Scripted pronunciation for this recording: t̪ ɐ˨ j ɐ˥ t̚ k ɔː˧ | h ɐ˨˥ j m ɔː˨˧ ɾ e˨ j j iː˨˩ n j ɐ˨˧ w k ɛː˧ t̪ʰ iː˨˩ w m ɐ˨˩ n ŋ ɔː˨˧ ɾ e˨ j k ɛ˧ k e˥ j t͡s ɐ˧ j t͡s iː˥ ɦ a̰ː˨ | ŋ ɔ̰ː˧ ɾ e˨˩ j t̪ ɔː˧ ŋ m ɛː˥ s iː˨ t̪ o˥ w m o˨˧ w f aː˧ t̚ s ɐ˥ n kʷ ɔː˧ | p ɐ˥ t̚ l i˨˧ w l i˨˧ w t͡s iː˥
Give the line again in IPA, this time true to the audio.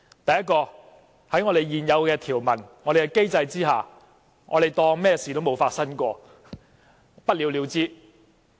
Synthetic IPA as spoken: t̪ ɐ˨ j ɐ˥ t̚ k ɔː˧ | h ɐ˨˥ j ŋ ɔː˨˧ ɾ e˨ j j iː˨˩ n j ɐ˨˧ w k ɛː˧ t̪ʰ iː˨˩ w m ɐ˨˩ n ŋ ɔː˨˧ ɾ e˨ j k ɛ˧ k e˥ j t͡s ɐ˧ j t͡s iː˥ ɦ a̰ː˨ | ŋ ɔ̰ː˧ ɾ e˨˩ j t̪ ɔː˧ ŋ m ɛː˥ s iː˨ t̪ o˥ w m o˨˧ w f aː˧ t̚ s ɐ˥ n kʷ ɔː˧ | p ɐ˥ t̚ l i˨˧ w l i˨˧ w t͡s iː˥